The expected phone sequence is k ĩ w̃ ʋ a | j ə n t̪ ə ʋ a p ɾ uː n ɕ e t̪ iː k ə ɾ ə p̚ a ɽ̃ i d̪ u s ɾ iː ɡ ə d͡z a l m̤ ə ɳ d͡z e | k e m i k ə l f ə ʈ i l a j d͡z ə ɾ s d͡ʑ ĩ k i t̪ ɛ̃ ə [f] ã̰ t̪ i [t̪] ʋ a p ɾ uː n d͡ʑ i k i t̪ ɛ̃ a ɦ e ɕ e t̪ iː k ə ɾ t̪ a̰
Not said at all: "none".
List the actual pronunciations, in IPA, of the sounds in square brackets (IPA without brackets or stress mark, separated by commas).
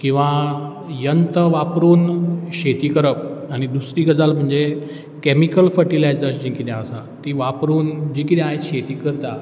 s, none